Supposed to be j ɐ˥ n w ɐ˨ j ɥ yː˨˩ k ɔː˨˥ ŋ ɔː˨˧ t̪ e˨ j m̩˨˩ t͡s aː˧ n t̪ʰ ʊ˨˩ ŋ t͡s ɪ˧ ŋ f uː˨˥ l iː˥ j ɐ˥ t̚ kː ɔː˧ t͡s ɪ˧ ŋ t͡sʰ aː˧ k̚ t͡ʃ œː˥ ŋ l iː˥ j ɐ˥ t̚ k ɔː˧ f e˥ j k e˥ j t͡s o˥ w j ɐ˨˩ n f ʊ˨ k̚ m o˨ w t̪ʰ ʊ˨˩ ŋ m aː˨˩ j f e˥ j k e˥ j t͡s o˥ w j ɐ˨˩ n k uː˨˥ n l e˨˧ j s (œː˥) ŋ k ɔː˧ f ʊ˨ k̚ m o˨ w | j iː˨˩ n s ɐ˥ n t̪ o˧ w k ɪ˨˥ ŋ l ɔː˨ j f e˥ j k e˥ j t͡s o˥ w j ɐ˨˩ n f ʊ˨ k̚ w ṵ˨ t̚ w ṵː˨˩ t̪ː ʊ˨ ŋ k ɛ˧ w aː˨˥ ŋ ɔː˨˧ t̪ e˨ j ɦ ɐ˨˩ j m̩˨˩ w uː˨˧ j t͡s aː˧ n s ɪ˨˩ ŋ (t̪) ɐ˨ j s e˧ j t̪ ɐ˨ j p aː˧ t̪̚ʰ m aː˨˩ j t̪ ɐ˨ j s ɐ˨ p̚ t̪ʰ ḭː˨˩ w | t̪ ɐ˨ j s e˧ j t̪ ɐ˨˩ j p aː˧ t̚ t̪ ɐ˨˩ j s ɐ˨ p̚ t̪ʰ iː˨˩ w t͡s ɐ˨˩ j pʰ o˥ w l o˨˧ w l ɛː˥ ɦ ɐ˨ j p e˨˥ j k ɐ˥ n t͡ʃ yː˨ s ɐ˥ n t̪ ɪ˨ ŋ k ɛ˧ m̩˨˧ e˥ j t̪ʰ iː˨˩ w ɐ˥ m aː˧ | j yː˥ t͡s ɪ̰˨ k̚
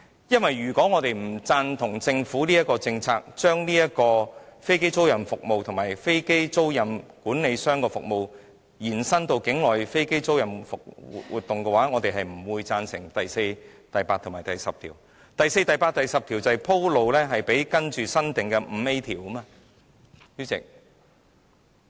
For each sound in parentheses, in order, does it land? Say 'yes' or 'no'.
yes, yes

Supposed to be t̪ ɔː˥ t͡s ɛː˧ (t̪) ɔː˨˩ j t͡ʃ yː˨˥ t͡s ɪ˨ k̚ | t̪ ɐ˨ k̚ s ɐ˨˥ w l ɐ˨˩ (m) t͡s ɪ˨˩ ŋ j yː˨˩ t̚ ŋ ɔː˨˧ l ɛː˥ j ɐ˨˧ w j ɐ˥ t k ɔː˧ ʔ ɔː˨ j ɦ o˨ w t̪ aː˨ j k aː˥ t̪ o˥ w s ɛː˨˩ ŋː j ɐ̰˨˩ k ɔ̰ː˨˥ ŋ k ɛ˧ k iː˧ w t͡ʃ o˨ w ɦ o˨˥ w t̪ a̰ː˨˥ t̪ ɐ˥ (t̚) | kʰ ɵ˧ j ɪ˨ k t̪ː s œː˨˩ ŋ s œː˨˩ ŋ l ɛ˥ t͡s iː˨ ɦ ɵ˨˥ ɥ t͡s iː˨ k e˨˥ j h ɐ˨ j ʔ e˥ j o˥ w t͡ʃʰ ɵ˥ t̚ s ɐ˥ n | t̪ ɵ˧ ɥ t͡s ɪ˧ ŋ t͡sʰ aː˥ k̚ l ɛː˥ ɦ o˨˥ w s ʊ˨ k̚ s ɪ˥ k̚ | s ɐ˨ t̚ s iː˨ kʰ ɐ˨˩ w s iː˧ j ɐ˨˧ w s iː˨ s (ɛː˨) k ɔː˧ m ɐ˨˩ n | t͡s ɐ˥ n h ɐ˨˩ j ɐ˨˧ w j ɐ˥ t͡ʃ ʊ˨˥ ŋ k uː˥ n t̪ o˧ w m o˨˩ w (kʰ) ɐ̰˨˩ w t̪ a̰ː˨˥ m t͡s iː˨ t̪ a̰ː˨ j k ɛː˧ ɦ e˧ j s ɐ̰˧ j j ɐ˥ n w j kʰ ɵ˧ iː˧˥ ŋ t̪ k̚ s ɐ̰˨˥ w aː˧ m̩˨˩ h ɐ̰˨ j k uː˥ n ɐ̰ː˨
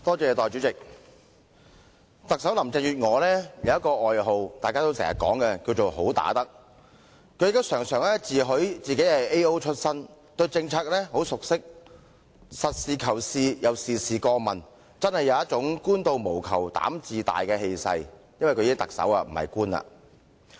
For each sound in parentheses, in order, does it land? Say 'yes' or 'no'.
yes, yes, no, no, yes

